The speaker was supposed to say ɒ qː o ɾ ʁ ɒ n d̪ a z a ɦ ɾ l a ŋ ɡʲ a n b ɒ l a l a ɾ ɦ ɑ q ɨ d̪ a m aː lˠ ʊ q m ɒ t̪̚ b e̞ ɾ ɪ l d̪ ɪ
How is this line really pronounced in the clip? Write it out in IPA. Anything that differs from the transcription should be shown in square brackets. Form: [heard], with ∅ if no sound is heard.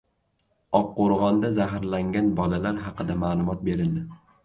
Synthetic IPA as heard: ɒ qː o ɾ ʁ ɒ n d̪ a z a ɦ ɾ l a ŋ ɡʲ a n b ɒ l a l a ɾ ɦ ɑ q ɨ d̪ a m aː lˠ ʊ [∅] m ɒ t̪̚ b e̞ ɾ ɪ l d̪ ɪ